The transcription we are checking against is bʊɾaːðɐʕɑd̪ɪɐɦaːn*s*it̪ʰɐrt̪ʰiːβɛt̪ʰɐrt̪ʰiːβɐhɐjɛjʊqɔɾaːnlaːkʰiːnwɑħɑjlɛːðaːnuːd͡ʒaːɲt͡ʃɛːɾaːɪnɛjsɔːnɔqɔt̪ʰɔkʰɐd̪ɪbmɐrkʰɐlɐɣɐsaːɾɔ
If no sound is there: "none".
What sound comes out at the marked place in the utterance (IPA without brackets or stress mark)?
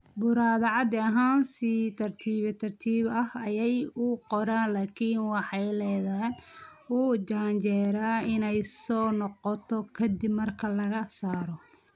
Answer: s